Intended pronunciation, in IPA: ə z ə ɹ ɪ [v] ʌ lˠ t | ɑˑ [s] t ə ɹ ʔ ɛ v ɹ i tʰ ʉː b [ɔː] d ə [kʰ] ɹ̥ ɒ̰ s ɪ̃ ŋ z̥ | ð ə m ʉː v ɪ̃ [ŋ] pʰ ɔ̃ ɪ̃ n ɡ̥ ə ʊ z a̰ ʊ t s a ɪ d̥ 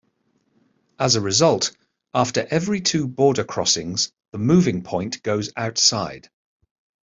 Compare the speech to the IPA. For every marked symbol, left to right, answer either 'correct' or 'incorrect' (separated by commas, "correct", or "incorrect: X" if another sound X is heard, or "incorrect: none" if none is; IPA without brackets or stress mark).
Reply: incorrect: z, incorrect: f, correct, correct, correct